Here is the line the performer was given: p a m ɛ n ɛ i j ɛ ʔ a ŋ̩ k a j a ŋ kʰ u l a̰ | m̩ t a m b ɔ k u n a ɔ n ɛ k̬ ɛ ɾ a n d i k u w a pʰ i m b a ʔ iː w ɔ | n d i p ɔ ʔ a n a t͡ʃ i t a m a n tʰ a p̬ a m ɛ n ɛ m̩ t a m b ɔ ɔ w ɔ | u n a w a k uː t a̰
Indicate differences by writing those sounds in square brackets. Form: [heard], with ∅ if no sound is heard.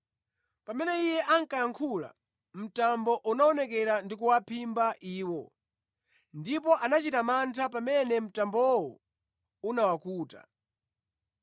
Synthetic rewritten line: p a m ɛ n ɛ i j ɛ ʔ a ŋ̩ k a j a ŋ kʰ u l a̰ | m̩ t a m b ɔ [ʔ] u n a ɔ n ɛ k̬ ɛ ɾ a n d i k u w a pʰ i m b a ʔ iː w ɔ | n d i p ɔ ʔ a n a t͡ʃ i t a m a n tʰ a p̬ a m ɛ n ɛ m̩ t a m b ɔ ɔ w ɔ | u n a w a k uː t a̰